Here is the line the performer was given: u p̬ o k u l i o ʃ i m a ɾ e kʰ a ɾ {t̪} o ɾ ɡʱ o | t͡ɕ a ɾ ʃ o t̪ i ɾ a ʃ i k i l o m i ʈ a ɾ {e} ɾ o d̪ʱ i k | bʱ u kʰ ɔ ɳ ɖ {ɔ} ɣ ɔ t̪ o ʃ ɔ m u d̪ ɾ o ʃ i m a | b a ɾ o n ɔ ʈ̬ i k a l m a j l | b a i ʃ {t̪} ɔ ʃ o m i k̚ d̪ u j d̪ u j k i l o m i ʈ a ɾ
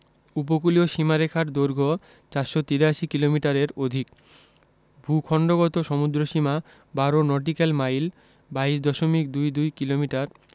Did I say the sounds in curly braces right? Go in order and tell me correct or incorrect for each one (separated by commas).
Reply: incorrect, correct, incorrect, incorrect